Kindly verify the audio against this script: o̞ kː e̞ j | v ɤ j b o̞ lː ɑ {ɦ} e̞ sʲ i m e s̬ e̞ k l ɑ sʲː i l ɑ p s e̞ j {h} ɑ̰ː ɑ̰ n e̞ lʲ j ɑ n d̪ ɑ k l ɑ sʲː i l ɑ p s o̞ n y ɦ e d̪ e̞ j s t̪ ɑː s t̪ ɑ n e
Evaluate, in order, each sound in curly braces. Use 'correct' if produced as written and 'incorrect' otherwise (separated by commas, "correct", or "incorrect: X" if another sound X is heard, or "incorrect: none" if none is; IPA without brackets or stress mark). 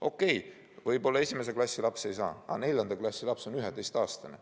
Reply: incorrect: none, incorrect: s